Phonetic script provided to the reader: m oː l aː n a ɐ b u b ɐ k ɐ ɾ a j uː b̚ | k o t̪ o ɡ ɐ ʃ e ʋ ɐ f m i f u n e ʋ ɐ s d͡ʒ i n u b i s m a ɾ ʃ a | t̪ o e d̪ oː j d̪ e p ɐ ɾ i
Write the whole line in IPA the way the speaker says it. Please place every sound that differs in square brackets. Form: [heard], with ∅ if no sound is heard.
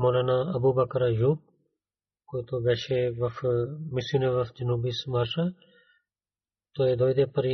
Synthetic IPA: m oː l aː n a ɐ b u b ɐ k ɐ ɾ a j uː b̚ | k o t̪ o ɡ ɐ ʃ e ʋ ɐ f m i [s] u n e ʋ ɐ [f] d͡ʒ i n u b i s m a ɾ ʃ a | t̪ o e d̪ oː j d̪ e p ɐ ɾ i